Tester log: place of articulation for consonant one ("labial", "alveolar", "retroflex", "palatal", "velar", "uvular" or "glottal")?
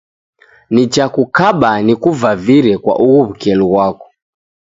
alveolar